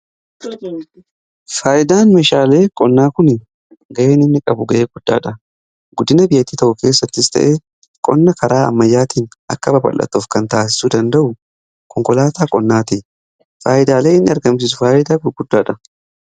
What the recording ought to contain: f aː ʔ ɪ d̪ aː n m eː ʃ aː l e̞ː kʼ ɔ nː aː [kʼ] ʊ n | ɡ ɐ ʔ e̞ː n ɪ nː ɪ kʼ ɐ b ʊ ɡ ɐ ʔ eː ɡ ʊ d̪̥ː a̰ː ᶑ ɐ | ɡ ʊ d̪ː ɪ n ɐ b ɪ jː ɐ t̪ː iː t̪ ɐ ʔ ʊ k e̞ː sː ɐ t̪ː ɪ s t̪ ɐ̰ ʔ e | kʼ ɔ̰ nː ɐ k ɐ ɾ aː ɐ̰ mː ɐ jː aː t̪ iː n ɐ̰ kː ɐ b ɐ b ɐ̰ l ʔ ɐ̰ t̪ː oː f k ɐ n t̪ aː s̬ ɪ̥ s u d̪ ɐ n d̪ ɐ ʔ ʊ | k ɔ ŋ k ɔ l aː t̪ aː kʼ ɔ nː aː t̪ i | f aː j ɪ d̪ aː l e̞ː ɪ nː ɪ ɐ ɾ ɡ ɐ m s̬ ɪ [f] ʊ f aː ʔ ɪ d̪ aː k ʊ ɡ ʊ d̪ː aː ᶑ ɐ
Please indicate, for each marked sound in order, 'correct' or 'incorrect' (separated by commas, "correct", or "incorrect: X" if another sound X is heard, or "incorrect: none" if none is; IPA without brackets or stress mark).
incorrect: k, incorrect: s